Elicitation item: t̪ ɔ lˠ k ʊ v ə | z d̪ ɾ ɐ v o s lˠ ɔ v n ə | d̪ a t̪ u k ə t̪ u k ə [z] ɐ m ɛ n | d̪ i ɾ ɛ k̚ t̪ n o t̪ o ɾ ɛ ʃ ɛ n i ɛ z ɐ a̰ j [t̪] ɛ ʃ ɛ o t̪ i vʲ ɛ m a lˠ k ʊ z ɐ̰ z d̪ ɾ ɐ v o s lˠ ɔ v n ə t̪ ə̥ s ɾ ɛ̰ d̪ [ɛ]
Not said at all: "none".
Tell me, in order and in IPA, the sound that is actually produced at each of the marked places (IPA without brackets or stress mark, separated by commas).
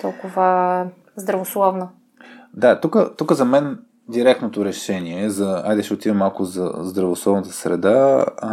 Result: z, d̪, a